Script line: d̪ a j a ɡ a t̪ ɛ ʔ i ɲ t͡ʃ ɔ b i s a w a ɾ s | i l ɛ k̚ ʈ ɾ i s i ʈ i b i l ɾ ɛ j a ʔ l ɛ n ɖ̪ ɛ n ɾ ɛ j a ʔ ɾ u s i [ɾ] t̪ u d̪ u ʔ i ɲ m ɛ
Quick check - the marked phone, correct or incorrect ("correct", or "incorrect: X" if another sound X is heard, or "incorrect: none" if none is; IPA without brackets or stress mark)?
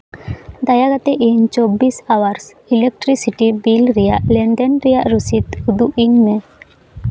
incorrect: none